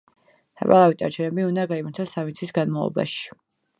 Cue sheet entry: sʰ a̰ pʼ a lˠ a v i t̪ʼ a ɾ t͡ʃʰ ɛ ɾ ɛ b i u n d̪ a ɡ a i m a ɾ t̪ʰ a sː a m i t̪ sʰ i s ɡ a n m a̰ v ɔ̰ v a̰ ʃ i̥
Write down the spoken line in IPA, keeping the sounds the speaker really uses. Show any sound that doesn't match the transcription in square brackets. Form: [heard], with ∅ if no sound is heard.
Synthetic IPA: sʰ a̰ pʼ a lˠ a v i t̪ʼ a ɾ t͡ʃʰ ɛ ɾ ɛ b i u n d̪ a ɡ a i m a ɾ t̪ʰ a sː a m i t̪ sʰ i s ɡ a n m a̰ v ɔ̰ [b] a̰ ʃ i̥